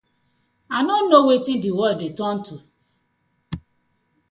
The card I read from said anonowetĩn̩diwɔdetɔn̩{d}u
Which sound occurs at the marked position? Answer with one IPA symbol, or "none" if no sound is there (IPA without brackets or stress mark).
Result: t